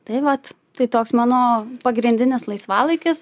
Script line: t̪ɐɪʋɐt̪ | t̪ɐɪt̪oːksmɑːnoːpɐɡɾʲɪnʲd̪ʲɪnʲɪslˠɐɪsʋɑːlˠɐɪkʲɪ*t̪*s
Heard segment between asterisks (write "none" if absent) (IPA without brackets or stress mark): none